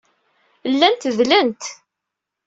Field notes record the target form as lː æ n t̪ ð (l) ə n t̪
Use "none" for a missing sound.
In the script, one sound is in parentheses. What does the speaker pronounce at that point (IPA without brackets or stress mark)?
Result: l